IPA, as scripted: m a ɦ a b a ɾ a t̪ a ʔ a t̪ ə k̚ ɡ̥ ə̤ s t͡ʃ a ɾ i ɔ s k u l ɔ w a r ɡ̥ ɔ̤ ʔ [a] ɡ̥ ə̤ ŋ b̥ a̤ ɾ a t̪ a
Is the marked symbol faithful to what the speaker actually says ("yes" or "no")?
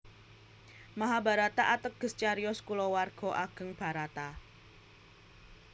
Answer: yes